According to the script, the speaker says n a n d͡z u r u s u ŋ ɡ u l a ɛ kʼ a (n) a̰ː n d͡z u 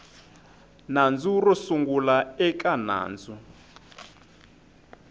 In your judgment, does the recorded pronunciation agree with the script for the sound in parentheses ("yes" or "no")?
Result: yes